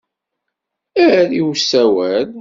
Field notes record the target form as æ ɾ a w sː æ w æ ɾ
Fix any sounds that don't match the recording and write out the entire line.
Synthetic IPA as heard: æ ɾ i w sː æ w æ l